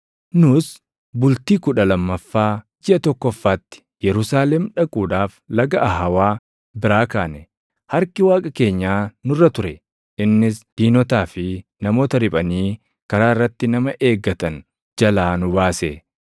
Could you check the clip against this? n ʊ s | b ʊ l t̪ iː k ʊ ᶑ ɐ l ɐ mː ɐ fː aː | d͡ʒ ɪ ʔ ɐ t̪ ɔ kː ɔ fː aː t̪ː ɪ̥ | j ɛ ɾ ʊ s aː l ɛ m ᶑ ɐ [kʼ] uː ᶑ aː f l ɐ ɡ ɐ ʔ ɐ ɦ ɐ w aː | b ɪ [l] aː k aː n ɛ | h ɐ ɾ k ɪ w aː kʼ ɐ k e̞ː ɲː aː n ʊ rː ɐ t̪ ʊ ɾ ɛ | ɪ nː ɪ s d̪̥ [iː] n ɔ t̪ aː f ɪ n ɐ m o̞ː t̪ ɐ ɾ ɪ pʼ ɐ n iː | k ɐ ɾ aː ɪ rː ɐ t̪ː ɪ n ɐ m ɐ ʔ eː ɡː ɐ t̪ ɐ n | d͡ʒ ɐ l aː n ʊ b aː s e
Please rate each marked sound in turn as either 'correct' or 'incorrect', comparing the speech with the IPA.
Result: correct, incorrect, correct

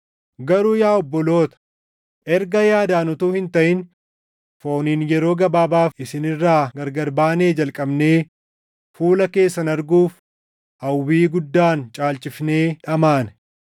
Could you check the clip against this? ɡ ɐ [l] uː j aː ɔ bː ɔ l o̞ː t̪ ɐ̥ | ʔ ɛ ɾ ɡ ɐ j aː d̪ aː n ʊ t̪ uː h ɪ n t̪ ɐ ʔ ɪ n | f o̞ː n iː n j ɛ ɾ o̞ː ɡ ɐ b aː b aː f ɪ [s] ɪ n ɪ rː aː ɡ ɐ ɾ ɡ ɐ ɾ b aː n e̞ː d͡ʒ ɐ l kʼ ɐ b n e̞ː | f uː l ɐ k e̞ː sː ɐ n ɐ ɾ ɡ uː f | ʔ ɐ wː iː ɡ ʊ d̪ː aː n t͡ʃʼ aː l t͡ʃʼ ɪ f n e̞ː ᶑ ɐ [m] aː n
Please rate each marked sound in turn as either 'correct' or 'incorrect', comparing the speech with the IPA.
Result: incorrect, correct, correct

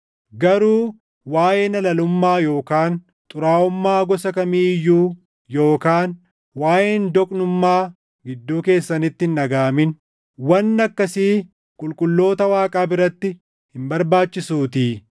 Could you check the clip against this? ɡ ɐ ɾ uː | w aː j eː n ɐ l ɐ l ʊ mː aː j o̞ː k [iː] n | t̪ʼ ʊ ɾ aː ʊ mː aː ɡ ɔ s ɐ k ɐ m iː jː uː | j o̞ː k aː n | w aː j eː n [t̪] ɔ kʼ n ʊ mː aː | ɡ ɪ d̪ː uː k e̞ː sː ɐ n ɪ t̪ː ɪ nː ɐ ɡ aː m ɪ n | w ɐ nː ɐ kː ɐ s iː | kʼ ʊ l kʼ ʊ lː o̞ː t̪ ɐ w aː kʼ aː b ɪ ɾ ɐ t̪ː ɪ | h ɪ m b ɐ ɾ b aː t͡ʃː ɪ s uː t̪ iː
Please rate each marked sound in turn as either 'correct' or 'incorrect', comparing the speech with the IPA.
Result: incorrect, incorrect

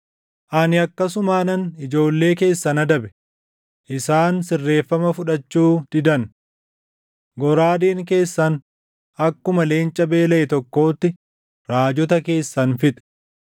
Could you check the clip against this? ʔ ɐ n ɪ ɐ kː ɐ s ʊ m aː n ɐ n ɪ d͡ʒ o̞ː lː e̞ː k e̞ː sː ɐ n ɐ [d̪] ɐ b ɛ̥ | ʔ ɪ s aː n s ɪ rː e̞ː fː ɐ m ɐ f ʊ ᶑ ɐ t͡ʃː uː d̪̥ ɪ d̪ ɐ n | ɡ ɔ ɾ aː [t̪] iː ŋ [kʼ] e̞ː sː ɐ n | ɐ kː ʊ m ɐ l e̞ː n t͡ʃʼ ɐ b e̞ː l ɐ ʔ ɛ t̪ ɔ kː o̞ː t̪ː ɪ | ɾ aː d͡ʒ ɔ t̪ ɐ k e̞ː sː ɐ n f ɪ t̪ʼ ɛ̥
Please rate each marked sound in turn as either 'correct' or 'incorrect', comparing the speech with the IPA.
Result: correct, incorrect, incorrect

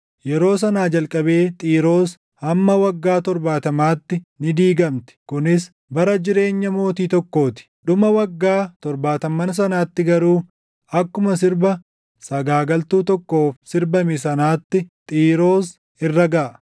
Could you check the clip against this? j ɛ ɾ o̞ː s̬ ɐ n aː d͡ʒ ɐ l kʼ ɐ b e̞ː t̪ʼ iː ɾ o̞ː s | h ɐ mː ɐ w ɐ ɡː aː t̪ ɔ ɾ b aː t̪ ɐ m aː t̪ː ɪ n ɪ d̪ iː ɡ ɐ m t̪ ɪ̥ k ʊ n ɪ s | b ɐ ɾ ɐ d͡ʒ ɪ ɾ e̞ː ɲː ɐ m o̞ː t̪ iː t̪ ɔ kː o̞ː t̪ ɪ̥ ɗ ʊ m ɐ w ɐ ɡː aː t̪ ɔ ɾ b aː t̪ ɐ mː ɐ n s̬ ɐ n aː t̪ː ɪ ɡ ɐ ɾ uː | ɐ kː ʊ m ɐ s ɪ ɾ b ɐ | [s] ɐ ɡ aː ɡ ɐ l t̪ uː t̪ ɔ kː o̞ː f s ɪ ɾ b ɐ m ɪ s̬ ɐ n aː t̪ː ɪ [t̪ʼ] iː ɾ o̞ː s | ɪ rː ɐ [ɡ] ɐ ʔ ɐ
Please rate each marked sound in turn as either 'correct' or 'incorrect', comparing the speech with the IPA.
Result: correct, correct, correct

